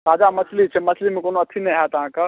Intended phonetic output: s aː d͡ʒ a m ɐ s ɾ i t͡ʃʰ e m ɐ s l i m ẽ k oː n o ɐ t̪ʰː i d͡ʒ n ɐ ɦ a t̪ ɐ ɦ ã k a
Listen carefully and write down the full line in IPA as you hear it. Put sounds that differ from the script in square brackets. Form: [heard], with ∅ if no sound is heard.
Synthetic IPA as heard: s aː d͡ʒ a m ɐ s [l] i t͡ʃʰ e m ɐ s l i m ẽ k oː n o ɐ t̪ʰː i [∅] n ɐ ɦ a t̪ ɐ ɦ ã k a